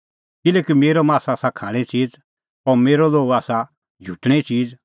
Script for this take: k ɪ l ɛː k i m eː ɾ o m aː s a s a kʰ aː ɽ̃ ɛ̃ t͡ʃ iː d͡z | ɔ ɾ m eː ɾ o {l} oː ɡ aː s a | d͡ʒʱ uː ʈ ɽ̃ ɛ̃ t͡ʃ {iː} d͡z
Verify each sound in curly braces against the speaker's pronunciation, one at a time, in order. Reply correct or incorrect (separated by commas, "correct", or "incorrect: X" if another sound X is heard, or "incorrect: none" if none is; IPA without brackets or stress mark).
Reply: correct, correct